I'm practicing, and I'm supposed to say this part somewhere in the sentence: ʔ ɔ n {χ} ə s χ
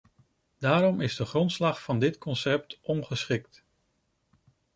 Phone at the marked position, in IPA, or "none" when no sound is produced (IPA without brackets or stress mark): χ